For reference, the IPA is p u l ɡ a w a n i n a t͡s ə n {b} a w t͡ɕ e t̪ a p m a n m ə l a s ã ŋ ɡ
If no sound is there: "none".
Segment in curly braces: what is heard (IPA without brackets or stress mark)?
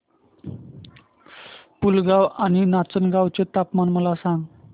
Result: ɡ